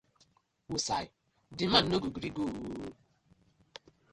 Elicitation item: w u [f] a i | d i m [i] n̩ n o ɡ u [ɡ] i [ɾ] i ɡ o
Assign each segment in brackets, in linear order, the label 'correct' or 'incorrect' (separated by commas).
incorrect, incorrect, correct, correct